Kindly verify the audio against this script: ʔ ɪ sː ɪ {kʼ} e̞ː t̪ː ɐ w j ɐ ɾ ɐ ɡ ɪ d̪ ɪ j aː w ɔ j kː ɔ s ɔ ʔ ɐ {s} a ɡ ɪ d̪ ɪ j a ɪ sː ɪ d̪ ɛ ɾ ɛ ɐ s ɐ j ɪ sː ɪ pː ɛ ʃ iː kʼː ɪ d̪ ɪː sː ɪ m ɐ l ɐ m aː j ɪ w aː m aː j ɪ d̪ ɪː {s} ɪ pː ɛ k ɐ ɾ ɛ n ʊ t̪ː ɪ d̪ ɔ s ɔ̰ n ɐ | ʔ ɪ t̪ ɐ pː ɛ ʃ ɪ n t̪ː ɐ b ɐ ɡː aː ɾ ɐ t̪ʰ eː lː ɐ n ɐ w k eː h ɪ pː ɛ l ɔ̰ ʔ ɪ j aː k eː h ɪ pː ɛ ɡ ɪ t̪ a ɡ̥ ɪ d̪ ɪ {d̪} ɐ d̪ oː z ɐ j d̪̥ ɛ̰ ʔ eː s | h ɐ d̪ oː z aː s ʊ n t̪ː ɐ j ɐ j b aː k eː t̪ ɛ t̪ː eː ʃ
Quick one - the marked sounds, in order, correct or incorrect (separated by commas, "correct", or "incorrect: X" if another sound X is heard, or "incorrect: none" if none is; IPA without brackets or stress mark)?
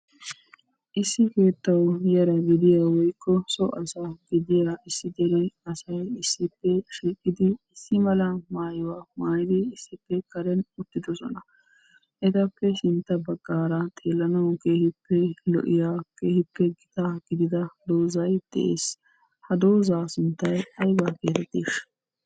incorrect: k, correct, incorrect: sː, correct